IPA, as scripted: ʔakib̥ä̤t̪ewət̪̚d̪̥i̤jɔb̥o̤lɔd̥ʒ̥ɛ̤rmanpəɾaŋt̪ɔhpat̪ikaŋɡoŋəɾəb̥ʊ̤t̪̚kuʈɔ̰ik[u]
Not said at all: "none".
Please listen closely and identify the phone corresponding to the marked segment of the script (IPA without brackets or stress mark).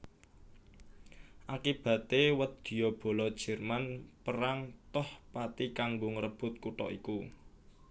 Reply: u